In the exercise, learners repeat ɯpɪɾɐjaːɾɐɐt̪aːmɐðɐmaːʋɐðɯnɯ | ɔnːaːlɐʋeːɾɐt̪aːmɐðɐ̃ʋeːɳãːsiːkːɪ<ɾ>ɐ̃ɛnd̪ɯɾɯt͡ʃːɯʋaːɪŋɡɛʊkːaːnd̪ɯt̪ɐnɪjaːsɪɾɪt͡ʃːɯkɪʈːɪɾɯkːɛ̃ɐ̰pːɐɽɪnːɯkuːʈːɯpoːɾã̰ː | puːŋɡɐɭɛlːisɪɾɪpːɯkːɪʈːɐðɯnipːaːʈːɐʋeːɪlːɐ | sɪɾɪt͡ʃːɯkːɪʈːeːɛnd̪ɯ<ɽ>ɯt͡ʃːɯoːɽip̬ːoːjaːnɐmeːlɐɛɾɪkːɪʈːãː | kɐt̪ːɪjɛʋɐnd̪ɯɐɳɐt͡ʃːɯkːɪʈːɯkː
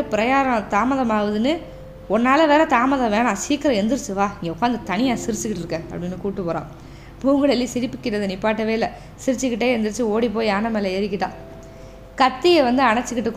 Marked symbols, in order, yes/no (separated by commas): yes, no